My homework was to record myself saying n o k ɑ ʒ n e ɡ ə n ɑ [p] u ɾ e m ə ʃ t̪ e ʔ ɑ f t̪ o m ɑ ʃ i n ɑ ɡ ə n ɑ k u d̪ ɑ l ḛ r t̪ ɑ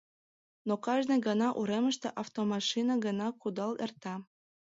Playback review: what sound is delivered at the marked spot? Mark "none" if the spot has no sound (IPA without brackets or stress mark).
ʔ